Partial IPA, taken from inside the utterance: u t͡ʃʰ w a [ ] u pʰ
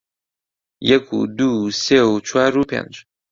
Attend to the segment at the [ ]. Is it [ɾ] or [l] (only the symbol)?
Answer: ɾ